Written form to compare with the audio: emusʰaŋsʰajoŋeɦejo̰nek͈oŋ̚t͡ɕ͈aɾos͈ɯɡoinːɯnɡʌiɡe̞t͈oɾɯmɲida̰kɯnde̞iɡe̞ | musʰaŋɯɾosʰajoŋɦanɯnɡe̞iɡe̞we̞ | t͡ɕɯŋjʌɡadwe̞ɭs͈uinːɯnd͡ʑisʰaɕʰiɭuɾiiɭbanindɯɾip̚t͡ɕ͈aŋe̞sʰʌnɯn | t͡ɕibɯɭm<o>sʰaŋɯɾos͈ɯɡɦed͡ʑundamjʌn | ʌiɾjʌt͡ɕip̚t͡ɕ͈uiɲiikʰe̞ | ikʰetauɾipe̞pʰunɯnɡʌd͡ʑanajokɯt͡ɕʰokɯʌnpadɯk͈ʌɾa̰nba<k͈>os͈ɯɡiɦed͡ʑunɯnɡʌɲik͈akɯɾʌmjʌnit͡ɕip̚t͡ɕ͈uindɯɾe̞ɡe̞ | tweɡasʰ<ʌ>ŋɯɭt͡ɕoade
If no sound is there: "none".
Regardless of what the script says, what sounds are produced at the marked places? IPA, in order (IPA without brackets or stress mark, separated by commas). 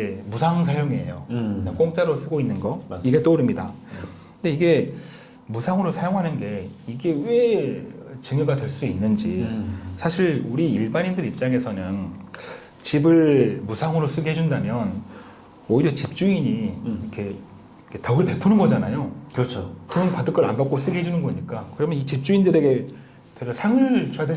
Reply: u, k͈, a